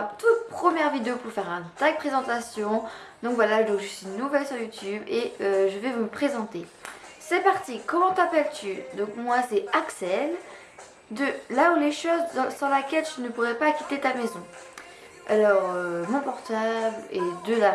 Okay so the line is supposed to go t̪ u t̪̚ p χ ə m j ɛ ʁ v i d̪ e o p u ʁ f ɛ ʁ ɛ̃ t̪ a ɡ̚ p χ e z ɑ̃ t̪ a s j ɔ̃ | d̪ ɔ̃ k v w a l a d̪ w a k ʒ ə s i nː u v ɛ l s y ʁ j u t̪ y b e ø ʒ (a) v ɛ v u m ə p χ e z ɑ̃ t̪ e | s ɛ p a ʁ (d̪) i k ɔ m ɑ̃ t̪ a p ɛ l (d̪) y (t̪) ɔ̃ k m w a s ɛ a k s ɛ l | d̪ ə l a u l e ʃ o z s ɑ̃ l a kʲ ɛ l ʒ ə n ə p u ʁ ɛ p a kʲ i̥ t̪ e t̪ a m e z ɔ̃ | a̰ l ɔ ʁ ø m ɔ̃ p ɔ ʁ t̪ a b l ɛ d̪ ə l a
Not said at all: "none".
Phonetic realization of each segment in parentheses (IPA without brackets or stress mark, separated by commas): ə, t̪, t̪, d̪